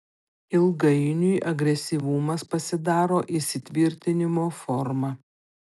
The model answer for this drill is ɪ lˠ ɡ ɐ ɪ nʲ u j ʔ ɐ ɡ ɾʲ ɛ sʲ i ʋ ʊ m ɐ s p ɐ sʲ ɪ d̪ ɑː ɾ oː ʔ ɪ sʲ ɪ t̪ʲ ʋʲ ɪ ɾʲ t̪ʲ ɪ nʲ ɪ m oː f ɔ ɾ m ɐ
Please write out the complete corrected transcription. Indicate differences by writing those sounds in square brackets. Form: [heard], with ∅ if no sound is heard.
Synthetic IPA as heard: ɪ lˠ ɡ ɐ ɪ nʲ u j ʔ ɐ ɡ ɾʲ ɛ sʲ i ʋ ʊ m ɐ s p ɐ sʲ ɪ d̪ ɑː ɾ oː ʔ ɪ sʲ ɪ t̪ʲ ʋʲ ɪ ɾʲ t̪ʲ ɪ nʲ ɪ m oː f ɔ ɾ m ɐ